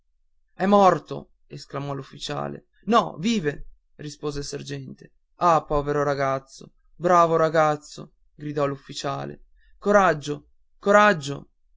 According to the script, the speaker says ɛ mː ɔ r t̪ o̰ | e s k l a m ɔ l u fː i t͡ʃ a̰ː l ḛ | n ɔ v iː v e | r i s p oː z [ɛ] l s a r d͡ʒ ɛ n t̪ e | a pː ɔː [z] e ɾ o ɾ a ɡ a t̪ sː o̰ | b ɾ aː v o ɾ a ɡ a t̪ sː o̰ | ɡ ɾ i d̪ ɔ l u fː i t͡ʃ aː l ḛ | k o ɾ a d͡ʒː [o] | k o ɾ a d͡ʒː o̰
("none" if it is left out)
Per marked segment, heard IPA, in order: e, v, o

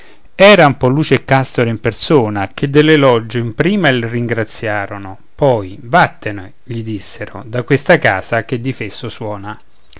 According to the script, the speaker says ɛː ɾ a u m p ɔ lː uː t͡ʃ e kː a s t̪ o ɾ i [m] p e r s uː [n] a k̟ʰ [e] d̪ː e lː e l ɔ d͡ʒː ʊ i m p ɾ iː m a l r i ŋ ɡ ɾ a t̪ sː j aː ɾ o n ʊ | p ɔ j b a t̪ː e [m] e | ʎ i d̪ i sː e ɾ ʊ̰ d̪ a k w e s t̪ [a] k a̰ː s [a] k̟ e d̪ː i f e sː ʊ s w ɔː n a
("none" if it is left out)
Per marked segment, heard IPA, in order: m, n, e, n, a, a

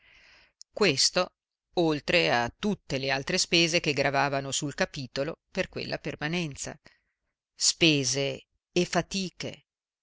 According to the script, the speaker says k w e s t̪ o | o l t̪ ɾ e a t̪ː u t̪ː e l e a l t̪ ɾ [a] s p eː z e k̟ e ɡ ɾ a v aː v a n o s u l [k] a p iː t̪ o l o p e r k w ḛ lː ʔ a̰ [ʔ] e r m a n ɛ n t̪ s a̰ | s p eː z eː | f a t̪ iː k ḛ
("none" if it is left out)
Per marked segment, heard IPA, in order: e, k, p

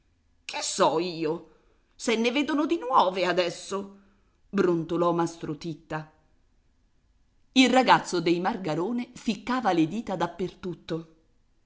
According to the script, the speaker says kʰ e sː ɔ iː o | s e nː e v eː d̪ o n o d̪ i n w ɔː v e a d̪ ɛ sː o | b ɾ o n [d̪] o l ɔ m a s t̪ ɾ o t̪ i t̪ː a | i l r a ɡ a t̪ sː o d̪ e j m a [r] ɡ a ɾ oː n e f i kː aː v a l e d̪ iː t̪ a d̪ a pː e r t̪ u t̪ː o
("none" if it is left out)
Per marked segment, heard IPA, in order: t̪, r

